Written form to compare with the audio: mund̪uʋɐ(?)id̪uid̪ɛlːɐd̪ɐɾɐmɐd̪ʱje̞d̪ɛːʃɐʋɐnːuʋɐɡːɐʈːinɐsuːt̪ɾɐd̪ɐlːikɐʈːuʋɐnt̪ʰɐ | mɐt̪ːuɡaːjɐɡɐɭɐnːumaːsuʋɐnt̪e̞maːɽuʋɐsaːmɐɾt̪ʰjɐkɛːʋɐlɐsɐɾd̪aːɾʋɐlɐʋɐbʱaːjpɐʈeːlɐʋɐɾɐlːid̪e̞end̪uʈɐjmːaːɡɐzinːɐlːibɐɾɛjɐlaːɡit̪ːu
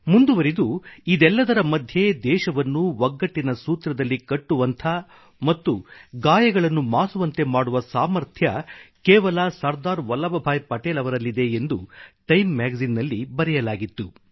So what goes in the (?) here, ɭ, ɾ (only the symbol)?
ɾ